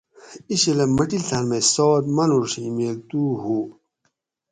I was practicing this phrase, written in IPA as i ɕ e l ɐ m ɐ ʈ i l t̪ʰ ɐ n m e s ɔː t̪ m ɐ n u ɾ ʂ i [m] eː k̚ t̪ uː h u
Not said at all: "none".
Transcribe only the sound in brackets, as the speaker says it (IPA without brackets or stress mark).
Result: m